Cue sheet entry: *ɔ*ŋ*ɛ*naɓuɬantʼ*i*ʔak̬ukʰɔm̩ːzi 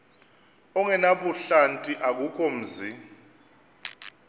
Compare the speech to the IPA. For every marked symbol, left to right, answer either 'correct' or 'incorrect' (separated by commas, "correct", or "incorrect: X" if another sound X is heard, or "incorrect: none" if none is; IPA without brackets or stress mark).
correct, correct, correct